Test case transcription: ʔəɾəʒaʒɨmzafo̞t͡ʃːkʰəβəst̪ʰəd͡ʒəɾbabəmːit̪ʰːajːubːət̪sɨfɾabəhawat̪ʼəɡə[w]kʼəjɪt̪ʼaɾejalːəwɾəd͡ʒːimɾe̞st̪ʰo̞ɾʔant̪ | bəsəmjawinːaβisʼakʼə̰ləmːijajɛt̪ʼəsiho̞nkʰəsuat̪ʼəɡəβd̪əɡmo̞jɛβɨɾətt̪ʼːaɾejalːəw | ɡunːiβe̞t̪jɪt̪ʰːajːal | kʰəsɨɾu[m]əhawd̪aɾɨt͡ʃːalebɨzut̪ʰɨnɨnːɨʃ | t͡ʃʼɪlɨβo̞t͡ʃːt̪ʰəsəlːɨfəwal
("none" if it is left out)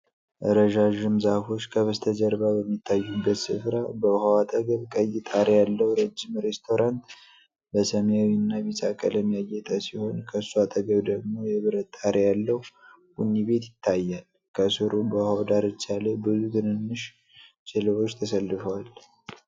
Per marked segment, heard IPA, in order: β, b

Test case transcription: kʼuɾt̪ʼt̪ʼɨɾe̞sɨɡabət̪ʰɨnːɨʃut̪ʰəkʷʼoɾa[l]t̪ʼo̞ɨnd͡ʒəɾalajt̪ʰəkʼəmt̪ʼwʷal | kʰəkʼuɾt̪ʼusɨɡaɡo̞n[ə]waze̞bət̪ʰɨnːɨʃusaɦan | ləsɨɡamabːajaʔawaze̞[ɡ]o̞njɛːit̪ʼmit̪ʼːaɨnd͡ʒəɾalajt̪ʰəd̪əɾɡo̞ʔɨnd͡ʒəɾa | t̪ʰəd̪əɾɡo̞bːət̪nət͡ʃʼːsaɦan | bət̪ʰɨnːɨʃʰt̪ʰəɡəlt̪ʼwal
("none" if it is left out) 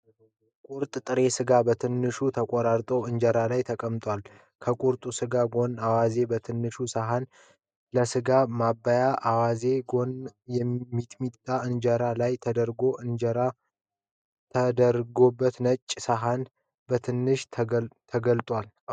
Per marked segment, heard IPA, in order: ɾ, a, ɡ

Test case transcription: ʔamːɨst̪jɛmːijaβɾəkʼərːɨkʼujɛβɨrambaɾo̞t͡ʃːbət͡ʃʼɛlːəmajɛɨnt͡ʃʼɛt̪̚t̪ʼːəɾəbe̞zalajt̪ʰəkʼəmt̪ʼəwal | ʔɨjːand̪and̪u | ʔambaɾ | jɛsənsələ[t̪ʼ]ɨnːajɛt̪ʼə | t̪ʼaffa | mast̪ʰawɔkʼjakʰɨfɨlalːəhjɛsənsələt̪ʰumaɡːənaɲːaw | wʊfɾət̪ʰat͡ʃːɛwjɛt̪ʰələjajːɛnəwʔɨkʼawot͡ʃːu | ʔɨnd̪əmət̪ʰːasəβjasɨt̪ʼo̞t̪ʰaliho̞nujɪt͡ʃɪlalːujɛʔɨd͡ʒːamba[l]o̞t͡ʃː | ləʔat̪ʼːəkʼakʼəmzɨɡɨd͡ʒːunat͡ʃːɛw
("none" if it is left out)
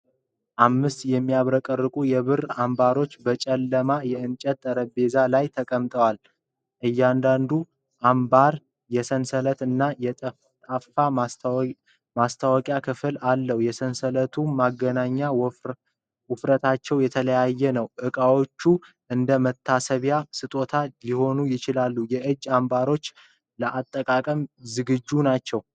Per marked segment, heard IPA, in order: t̪, ɾ

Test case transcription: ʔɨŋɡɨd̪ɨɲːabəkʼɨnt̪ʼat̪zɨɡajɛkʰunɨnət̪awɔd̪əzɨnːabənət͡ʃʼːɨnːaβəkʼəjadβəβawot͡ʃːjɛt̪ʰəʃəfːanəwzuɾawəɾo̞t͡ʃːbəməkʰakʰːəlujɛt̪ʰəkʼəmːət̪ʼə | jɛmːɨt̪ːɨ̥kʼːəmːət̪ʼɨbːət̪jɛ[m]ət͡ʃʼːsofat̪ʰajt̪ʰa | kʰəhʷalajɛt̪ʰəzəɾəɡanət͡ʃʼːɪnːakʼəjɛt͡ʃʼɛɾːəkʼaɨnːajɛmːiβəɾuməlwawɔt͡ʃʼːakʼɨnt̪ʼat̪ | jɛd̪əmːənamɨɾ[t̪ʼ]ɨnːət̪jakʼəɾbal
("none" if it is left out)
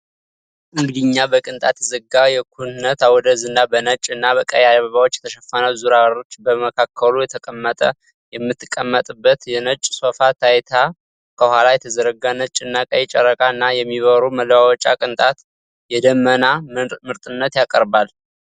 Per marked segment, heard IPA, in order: n, t̪ʼ

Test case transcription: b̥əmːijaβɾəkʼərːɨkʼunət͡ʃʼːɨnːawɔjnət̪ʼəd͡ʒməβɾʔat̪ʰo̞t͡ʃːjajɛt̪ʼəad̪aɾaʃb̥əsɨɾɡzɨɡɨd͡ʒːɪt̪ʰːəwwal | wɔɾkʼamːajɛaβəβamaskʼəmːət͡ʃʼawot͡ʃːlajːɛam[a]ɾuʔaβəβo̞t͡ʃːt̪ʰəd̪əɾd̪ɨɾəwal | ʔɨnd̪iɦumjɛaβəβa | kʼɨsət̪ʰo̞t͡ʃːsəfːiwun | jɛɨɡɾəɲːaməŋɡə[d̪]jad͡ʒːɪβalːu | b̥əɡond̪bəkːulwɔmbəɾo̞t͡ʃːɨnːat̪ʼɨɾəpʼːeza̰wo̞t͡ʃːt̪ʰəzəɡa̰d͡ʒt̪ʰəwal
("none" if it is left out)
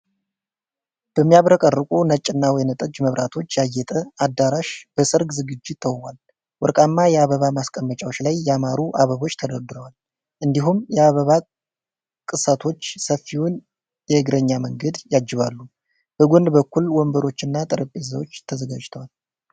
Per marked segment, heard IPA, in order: a, d̪

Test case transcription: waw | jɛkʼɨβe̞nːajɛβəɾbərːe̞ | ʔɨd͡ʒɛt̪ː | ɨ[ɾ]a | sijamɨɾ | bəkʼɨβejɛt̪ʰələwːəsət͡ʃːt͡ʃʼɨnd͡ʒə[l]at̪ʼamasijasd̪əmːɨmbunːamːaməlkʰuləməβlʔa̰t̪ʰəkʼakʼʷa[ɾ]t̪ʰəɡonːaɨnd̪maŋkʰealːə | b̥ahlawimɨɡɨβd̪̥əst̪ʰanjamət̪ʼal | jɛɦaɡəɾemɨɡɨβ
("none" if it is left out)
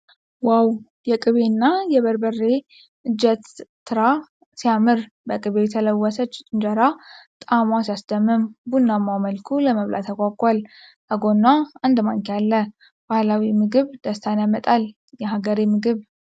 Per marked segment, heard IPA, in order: ɾ, ɾ, l

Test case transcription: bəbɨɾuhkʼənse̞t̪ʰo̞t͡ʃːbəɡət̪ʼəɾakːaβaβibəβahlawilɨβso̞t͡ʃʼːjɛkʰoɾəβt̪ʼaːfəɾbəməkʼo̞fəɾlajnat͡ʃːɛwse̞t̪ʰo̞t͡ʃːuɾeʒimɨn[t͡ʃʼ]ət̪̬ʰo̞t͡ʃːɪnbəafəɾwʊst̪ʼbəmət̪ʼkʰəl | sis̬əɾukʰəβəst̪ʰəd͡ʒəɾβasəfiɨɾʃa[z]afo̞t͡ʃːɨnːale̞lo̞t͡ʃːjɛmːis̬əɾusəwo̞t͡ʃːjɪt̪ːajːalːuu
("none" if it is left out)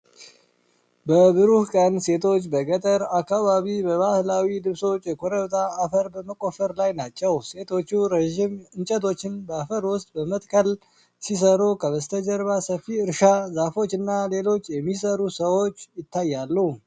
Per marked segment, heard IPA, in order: t͡ʃʼ, z

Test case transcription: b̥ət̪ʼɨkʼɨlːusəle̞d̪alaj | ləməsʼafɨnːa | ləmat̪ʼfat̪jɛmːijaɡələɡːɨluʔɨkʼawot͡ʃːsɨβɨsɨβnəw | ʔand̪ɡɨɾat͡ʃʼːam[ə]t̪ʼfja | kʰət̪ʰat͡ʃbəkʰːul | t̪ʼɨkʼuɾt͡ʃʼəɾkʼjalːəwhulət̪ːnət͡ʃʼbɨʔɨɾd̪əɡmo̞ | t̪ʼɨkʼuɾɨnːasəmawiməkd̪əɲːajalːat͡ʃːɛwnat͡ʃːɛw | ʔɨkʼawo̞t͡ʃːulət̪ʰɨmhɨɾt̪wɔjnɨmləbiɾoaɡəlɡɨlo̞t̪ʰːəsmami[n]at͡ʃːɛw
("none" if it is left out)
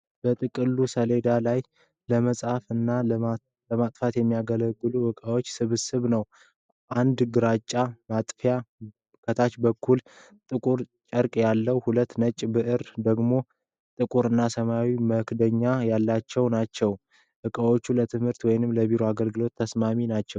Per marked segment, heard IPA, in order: a, n

